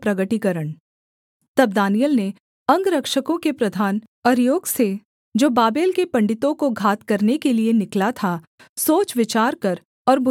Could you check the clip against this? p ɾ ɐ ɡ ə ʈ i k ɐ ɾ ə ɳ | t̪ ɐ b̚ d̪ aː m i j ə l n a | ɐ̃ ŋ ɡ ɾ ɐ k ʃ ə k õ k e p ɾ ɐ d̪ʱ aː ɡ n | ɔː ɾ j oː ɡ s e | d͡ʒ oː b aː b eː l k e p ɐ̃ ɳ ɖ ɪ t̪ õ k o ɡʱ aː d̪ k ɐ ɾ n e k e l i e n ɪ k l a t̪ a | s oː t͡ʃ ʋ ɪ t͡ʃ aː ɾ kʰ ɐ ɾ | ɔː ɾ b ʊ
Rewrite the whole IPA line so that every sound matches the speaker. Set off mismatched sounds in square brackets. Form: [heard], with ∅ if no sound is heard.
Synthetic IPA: p ɾ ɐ ɡ ə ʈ i k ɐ ɾ ə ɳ | t̪ ɐ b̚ d̪ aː [n] i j ə l n [e] | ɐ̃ ŋ ɡ ɾ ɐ k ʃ ə k õ k e p ɾ ɐ d̪ʱ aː [∅] n | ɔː ɾ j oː ɡ s e | d͡ʒ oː b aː b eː l k e p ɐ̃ ɳ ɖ ɪ t̪ õ k o ɡʱ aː [t̪] k ɐ ɾ n e k e l i e n ɪ k l a [t̪ʰ] a | s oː t͡ʃ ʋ ɪ t͡ʃ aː ɾ [k] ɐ ɾ | ɔː ɾ b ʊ